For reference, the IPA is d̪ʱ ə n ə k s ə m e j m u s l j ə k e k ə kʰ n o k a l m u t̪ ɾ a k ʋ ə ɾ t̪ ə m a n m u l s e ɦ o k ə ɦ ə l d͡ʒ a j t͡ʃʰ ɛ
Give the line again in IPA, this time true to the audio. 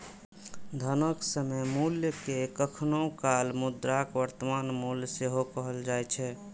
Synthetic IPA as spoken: d̪ʱ ə n ə k s ə m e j m u l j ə k e k ə kʰ n o k a l m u d̪ ɾ a k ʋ ə ɾ t̪ ə m a n m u l s e ɦ o k ə ɦ ə l d͡ʒ a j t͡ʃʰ ɛ